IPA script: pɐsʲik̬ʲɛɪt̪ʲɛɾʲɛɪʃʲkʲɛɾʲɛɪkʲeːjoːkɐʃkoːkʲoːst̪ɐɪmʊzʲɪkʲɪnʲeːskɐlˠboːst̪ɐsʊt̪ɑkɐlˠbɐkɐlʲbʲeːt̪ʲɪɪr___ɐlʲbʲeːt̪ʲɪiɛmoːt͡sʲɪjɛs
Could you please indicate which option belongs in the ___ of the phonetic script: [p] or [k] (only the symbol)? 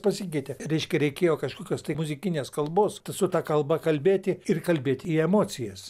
k